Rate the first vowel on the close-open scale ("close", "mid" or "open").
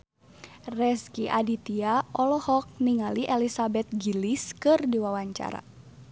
mid